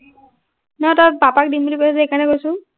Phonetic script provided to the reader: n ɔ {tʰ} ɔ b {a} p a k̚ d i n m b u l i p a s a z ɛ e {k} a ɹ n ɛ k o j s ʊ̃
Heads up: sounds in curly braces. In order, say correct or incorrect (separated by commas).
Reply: incorrect, correct, correct